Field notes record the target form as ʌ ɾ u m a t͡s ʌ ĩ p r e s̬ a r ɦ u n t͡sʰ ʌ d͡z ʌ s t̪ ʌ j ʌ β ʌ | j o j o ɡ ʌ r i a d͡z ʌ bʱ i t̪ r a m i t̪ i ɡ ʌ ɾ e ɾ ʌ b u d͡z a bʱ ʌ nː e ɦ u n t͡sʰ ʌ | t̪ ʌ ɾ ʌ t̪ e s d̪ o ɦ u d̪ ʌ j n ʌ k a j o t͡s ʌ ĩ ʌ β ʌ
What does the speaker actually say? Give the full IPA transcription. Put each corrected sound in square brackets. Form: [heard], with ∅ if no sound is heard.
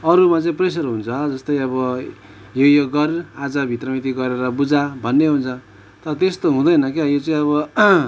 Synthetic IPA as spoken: ʌ ɾ u m a t͡s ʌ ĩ p r e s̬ [ʌ] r ɦ u n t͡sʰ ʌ d͡z ʌ s t̪ ʌ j ʌ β ʌ | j o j o ɡ ʌ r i a d͡z ʌ bʱ i t̪ r [ʌ] m i t̪ i ɡ ʌ ɾ e ɾ ʌ b u d͡z a bʱ ʌ nː e ɦ u n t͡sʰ ʌ | t̪ ʌ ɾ ʌ t̪ e s [t̪] o ɦ [ũ] d̪ ʌ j n ʌ k a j o t͡s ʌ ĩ ʌ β ʌ